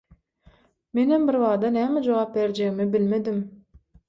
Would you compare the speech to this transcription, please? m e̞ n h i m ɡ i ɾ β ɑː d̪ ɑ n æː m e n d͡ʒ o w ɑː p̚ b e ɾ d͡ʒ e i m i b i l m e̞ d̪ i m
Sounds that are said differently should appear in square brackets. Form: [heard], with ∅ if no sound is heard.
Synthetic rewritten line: m e̞ n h [e] m [b] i ɾ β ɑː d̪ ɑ n æː m e [∅] d͡ʒ o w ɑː p̚ b e ɾ d͡ʒ e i m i b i l m e̞ d̪ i m